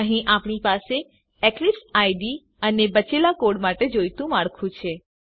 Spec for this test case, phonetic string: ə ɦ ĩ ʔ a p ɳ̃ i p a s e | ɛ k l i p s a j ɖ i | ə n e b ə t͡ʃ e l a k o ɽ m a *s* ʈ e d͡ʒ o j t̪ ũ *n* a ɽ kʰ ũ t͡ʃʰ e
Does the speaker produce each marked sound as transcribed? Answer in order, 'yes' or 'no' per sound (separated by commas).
no, no